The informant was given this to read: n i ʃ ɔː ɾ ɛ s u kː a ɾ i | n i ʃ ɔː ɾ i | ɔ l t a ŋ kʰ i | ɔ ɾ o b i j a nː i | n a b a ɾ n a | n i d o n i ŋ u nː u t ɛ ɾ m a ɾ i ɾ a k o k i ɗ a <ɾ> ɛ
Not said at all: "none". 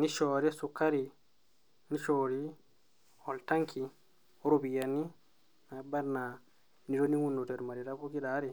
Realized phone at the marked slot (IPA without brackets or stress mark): ɾ